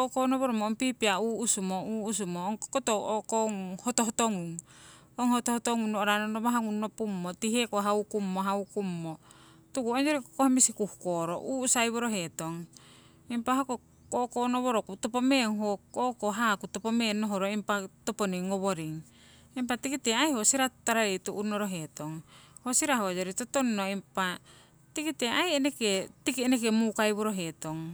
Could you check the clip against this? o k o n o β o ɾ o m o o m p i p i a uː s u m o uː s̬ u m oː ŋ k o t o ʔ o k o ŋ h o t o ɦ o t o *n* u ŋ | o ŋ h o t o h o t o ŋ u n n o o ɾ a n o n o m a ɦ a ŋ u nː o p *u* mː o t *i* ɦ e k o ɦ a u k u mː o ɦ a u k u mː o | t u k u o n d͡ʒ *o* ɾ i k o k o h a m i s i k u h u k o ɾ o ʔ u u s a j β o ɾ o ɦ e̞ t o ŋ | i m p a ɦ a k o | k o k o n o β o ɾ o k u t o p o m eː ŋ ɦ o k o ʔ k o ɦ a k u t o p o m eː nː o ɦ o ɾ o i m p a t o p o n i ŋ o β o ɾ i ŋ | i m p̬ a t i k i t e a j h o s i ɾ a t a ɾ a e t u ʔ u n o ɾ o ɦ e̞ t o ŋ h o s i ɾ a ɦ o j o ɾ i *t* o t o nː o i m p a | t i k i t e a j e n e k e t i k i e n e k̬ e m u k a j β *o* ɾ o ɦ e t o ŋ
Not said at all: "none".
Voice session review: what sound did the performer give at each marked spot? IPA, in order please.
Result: ŋ, u, i, o, t, o

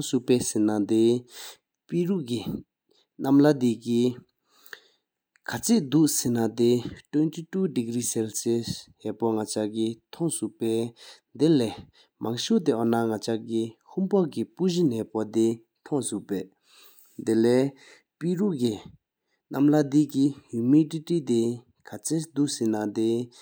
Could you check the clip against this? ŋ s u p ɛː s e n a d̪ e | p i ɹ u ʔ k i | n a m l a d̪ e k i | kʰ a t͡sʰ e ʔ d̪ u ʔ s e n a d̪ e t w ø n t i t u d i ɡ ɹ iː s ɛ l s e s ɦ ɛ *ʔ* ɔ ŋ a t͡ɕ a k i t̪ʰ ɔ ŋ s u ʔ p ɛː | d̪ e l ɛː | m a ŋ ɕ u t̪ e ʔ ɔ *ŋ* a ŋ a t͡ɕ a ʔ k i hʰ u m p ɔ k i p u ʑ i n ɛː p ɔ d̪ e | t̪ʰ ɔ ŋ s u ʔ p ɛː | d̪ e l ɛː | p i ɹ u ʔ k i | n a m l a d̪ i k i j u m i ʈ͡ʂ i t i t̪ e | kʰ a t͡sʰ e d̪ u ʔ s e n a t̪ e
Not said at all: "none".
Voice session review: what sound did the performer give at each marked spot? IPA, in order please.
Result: p, n

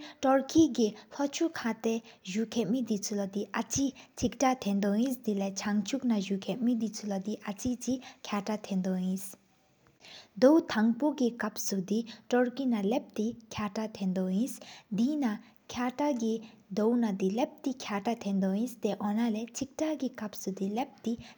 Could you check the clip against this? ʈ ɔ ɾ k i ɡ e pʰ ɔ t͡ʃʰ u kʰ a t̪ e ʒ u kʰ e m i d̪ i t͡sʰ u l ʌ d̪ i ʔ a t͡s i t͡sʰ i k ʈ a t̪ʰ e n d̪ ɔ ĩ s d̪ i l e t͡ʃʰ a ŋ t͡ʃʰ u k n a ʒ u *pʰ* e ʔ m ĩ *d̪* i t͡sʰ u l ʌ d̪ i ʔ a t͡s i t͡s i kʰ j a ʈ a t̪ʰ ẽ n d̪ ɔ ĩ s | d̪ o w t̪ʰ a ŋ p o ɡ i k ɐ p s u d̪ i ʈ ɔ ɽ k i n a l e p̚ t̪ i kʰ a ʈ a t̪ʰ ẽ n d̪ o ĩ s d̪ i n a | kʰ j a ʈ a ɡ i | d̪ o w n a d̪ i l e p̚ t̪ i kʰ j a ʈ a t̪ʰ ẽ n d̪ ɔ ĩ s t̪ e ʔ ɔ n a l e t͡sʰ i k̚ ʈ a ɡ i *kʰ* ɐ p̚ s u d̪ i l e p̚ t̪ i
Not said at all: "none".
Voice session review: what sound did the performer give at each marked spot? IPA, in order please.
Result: kʰ, d̪, k

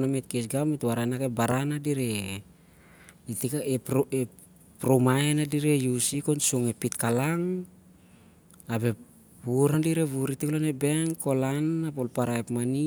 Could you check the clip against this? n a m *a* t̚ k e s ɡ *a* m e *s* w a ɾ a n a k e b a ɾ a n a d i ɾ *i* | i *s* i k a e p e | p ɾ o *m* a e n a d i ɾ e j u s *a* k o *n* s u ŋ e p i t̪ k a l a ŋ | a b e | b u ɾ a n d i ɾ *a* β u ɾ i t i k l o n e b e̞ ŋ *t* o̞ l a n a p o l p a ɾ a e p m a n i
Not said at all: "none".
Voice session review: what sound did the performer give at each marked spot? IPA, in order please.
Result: e, a, t, e, t, m, i, n, e, k

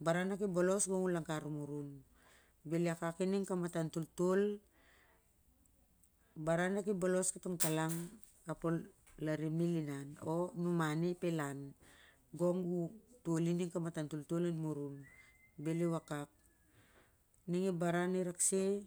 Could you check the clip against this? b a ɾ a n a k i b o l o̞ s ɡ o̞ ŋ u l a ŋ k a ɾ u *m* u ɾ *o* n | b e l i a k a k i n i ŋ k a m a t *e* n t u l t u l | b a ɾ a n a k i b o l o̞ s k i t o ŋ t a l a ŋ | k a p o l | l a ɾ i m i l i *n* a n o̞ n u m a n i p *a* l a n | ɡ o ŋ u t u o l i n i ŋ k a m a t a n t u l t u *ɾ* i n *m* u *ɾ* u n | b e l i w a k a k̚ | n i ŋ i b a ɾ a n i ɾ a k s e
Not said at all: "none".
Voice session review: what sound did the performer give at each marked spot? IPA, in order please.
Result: m, u, a, n, e, l, m, ɾ

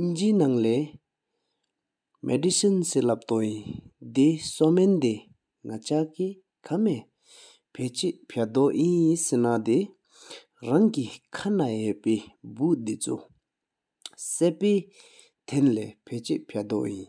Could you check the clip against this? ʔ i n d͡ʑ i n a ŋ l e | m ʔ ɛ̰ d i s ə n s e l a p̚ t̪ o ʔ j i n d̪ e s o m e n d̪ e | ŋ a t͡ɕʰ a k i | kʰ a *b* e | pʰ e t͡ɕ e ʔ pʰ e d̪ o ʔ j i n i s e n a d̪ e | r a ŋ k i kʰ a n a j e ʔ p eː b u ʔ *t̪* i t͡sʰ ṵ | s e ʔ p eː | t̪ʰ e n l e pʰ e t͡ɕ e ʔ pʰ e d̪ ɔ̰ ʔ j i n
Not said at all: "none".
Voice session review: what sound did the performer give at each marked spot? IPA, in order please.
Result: m, d̪

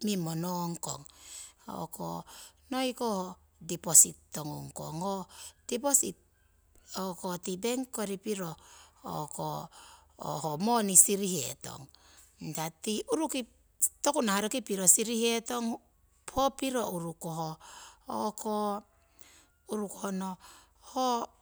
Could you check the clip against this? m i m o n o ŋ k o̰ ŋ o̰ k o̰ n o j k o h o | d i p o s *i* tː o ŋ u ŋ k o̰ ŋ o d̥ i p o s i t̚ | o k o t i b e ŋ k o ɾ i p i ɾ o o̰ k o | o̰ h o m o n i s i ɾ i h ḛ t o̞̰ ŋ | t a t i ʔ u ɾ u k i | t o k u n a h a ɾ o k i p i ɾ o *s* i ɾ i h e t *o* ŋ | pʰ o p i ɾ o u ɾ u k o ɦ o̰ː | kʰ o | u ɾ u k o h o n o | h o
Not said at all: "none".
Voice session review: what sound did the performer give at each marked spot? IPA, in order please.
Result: i, s, o

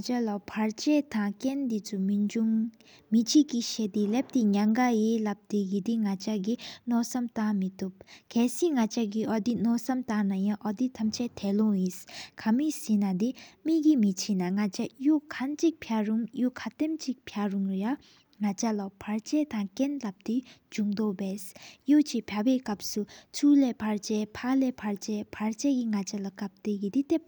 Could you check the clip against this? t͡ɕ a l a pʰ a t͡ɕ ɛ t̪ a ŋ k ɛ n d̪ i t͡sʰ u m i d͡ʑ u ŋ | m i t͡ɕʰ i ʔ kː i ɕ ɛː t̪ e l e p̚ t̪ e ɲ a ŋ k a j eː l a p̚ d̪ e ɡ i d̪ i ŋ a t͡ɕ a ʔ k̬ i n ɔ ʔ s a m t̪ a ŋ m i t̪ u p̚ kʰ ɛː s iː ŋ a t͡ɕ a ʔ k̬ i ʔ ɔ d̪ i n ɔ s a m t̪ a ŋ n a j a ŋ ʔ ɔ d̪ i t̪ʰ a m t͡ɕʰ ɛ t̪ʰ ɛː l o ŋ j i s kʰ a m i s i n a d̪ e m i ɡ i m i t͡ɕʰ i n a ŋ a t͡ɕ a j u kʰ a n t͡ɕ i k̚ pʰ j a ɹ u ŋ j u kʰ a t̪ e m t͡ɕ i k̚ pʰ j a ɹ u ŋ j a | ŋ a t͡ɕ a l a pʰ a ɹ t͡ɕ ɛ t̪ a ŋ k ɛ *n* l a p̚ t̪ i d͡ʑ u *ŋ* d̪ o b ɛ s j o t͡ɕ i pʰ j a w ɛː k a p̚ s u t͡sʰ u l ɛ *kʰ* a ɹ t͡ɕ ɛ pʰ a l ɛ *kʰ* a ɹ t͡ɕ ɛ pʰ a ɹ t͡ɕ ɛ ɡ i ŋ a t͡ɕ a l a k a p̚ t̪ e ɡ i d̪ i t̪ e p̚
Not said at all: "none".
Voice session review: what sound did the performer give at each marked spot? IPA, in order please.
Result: n, ŋ, pʰ, pʰ

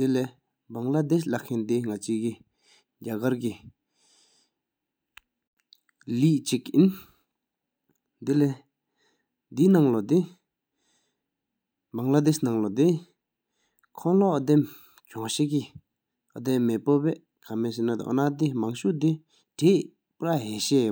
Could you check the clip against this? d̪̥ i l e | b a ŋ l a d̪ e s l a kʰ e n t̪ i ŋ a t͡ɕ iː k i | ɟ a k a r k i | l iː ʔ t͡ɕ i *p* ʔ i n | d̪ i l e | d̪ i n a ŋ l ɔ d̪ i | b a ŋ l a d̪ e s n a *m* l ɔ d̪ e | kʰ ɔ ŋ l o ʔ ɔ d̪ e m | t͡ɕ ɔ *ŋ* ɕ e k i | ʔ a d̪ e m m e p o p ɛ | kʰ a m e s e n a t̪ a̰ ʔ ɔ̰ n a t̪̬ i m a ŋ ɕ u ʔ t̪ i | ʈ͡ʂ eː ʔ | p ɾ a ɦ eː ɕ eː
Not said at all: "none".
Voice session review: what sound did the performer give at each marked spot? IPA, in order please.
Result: k, ŋ, ŋ

